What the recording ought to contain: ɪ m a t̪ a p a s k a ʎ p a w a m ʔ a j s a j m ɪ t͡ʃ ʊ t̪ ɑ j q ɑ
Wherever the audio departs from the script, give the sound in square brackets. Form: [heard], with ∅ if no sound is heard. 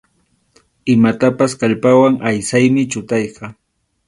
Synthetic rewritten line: ɪ m a t̪ a p a s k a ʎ p a w a [ŋ] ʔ a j s a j m ɪ t͡ʃ ʊ t̪ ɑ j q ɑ